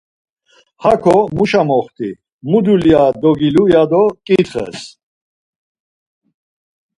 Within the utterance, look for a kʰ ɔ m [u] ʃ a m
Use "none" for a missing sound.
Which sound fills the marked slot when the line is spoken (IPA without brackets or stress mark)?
u